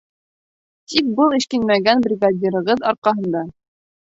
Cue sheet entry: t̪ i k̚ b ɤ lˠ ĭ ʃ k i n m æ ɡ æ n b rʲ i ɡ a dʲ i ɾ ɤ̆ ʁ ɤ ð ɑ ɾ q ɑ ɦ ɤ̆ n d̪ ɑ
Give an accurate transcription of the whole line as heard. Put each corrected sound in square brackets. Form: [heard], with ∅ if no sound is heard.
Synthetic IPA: t̪ i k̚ b ɤ lˠ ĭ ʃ k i n m æ ɡ æ n b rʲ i ɡ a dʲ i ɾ ɤ̆ ʁ ɤ ð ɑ ɾ q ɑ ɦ ɤ̆ n d̪ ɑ